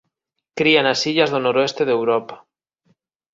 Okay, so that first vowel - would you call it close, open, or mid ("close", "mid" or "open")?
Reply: close